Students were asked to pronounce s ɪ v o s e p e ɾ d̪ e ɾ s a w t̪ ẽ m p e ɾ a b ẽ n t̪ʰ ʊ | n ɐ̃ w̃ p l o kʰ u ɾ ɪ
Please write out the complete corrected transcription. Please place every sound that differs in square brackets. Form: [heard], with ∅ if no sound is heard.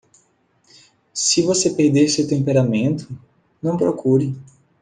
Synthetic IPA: s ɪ v o s e p e ɾ d̪ e ɾ s [e] w t̪ ẽ m p e ɾ a [m] ẽ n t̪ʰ ʊ | n ɐ̃ w̃ p [ɾ] o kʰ u ɾ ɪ